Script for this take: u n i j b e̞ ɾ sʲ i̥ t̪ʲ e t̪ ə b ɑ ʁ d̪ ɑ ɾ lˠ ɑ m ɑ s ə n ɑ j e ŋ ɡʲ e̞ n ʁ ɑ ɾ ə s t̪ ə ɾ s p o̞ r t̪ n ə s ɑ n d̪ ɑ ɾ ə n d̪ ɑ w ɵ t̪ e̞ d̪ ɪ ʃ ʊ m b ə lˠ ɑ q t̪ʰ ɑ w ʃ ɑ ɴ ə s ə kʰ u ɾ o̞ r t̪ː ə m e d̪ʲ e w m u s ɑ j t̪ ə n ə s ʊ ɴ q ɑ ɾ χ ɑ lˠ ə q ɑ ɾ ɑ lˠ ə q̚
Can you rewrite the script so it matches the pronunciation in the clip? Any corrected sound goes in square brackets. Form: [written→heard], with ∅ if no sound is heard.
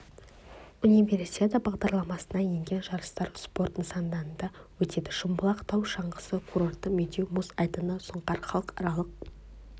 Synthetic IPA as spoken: u n i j [b→v] e̞ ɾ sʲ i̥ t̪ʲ e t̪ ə b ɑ ʁ d̪ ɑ ɾ lˠ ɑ m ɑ s ə n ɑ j e ŋ ɡʲ e̞ n [ʁ→ʒ] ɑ ɾ ə s t̪ [ə→ɑ] ɾ s p o̞ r t̪ n ə s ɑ n d̪ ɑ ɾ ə n d̪ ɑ w ɵ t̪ e̞ d̪ ɪ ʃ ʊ m b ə lˠ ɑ q t̪ʰ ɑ w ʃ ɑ ɴ ə s ə kʰ u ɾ o̞ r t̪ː ə m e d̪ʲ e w m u s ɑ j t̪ ə n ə s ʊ ɴ q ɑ ɾ χ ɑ lˠ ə q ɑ ɾ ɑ lˠ ə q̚